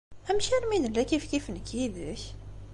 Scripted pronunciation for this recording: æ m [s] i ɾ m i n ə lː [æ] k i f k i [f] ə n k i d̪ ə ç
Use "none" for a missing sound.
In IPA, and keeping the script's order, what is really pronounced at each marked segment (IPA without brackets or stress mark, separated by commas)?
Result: ʃ, æ, f